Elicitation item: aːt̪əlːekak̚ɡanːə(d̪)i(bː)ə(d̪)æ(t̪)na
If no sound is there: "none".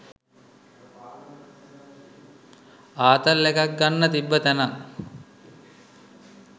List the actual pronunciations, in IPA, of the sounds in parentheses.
t̪, bː, t̪, none

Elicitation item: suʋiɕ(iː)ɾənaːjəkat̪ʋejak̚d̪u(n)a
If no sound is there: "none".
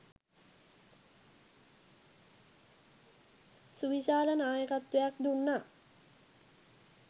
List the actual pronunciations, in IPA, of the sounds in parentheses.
aː, nː

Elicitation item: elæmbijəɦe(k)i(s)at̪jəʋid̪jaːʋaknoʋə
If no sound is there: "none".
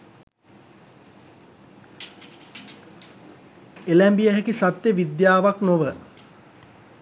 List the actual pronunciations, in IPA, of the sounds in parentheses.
k, s

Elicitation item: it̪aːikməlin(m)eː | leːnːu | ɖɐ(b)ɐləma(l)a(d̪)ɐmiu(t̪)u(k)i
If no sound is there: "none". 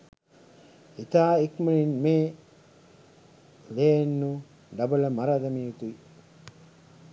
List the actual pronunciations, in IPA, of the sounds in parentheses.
m, b, ɾ, d̪, t̪, none

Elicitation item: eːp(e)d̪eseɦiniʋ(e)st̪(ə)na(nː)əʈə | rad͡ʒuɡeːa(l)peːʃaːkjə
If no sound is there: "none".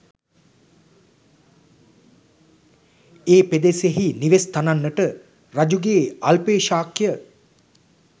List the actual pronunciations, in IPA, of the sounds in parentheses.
e, e, a, nː, l

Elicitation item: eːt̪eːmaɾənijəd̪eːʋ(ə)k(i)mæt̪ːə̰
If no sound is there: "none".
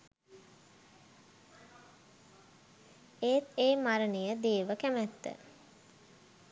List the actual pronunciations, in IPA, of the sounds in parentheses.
ə, æ

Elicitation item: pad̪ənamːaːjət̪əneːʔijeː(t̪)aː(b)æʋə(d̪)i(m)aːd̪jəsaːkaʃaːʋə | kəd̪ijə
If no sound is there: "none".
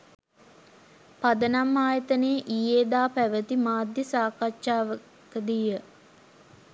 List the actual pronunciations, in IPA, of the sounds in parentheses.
d̪, p, t̪, m

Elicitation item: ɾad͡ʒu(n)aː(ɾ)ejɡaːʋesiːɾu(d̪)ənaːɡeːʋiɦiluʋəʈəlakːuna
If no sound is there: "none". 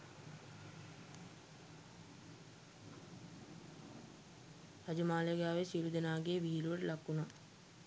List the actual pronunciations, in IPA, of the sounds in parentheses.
m, l, d̪

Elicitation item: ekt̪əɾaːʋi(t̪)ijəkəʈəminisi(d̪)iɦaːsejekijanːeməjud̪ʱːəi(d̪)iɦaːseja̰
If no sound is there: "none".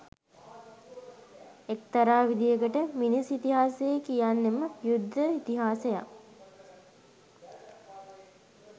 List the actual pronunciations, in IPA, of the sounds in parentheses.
d̪, t̪, t̪

